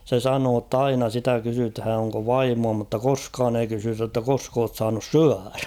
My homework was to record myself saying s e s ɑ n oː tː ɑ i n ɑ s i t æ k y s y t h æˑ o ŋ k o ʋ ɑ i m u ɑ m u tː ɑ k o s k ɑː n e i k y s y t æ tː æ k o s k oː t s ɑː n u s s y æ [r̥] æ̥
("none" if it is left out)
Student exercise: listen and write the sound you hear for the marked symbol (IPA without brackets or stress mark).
r̥